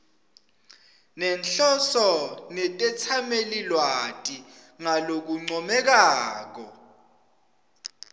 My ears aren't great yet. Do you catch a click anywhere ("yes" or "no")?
yes